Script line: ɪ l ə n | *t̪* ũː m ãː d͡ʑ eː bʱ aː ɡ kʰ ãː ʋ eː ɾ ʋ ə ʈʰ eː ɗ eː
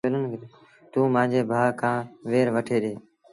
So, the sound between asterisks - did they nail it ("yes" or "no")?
yes